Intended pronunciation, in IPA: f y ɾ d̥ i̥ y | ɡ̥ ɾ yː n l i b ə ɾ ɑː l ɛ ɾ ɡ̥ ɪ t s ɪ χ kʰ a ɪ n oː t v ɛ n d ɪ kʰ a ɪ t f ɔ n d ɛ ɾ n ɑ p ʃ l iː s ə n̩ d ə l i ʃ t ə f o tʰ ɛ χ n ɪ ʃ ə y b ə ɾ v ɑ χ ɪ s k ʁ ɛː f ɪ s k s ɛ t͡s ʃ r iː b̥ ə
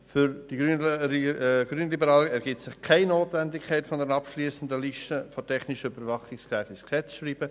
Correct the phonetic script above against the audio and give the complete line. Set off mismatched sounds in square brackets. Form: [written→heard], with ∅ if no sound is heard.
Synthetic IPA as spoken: f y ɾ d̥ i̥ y | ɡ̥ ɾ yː n l i b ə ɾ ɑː l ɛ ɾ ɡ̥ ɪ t s ɪ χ kʰ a ɪ n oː t v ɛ n d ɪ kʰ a ɪ t f ɔ n d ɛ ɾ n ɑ p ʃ l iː s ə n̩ d ə l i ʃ t ə f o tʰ ɛ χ n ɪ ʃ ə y b ə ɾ v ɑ χ ɪ s k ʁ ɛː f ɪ s k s ɛ t͡s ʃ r iː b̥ ə